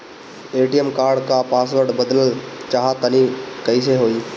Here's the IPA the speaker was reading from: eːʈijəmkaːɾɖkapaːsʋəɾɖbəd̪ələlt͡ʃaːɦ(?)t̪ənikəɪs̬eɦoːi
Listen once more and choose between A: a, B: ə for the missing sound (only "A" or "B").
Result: A